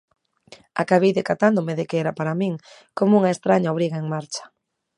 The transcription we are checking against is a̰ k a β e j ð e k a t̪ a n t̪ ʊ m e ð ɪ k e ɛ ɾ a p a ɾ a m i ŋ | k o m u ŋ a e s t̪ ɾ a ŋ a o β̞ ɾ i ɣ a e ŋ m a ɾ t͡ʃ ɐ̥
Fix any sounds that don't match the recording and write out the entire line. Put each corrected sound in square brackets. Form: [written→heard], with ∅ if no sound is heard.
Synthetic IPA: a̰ k a β e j ð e k a t̪ a n [t̪→d̪] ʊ m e ð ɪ k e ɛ ɾ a p a ɾ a m i ŋ | k o m u ŋ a e s t̪ ɾ a [ŋ→ɲ] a o β̞ ɾ i ɣ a e ŋ m a ɾ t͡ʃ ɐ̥